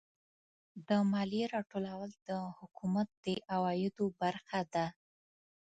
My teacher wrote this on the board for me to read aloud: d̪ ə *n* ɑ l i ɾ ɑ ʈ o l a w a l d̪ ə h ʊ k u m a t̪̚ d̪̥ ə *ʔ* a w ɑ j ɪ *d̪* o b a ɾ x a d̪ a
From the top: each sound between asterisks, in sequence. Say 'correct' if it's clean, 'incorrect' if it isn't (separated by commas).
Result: incorrect, correct, correct